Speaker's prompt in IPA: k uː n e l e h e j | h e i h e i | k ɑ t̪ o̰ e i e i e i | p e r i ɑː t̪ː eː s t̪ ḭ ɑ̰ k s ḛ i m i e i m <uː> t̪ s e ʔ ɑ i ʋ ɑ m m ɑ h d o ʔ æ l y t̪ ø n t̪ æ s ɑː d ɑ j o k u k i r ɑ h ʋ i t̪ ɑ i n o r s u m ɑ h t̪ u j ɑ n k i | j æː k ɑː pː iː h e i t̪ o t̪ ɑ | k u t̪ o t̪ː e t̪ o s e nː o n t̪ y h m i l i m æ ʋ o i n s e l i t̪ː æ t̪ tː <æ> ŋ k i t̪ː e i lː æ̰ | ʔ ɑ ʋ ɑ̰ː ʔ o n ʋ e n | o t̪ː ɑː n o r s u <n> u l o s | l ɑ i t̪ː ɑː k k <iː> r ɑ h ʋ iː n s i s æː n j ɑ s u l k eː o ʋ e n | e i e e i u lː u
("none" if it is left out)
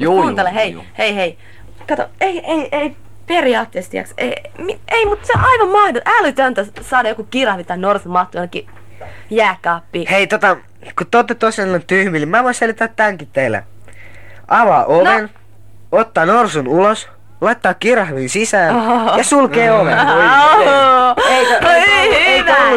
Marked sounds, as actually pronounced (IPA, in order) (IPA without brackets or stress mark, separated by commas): u, æ, n, i